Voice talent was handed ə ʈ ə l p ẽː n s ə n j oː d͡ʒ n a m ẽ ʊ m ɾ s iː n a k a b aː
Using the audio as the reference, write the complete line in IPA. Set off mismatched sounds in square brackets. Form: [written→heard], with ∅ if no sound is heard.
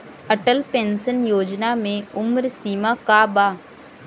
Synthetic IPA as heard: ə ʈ ə l p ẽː n s ə n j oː d͡ʒ n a m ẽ ʊ m ɾ s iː [n→m] a k a b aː